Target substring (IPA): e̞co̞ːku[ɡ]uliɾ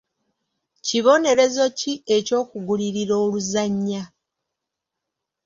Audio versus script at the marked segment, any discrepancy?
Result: no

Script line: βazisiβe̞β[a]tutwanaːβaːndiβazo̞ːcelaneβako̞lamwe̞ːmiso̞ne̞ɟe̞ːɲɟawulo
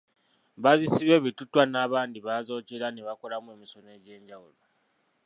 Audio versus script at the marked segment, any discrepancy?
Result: yes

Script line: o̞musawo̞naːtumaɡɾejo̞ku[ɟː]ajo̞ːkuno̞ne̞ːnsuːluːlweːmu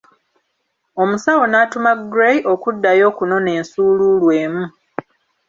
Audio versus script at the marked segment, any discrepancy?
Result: yes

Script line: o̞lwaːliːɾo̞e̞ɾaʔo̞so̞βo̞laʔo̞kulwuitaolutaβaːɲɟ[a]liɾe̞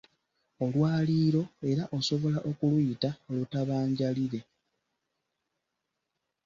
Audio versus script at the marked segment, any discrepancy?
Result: no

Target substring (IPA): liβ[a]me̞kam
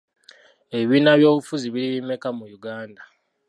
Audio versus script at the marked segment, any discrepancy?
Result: yes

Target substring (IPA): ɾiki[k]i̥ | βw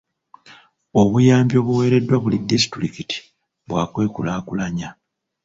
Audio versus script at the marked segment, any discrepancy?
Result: yes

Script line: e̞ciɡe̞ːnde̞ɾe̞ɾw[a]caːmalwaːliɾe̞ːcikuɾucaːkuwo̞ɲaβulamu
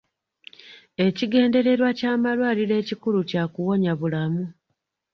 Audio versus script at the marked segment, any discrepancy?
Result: no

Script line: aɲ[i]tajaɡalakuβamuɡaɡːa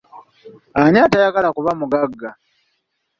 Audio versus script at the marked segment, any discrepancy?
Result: yes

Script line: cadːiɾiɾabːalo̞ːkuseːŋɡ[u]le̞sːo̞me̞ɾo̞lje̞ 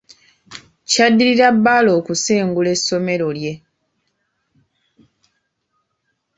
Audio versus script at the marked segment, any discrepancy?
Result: no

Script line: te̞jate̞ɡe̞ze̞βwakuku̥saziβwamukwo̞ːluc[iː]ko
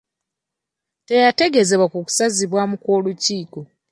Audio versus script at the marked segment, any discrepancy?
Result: no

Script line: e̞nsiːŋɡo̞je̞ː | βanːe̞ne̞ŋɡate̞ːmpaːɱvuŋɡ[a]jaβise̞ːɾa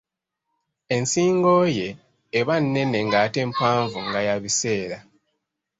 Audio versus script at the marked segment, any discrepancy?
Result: no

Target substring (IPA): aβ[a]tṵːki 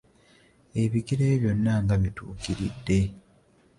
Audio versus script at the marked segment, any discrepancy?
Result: yes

